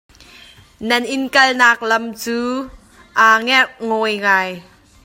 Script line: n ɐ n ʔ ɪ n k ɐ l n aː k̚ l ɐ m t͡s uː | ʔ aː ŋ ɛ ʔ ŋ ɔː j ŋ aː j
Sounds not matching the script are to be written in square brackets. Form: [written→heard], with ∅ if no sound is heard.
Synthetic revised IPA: n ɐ n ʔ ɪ n k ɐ l n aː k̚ l ɐ m t͡s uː | ʔ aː ŋ ɛ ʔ ŋ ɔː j ŋ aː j